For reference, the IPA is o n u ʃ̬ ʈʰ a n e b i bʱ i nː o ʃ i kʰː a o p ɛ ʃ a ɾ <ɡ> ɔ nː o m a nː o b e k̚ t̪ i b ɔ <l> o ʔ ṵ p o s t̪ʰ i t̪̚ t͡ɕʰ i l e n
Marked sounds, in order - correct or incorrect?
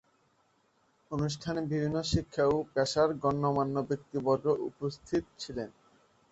correct, incorrect

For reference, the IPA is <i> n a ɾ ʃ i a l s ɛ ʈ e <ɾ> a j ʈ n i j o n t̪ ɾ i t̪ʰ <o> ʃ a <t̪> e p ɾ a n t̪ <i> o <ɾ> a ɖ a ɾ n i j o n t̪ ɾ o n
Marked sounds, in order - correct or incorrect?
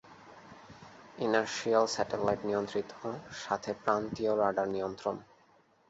correct, incorrect, correct, incorrect, correct, correct

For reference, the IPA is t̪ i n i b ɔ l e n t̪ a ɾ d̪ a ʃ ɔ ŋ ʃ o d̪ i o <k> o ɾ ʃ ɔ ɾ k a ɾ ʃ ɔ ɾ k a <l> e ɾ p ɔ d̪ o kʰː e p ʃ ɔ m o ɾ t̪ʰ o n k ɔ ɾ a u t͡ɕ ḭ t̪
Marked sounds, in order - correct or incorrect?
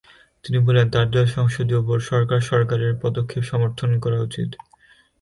incorrect, incorrect

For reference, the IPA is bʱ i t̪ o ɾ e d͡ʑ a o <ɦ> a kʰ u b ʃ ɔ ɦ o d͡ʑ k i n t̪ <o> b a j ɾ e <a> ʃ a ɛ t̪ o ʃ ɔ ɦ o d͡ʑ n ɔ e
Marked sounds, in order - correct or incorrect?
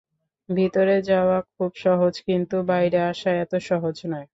incorrect, incorrect, correct

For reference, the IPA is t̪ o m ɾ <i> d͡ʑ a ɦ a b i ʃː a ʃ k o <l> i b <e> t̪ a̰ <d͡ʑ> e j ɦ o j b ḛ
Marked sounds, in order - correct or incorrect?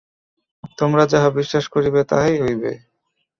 incorrect, incorrect, correct, incorrect

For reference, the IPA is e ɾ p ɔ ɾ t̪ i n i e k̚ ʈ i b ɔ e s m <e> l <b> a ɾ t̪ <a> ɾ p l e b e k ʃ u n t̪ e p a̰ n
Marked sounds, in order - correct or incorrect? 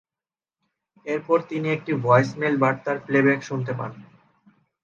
correct, correct, correct

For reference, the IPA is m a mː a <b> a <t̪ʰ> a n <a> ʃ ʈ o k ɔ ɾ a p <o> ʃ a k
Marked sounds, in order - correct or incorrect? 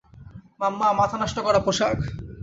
incorrect, correct, correct, correct

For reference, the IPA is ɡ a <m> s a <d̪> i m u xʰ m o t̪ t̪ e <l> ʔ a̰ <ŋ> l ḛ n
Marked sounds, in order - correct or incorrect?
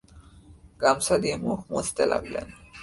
correct, correct, correct, incorrect

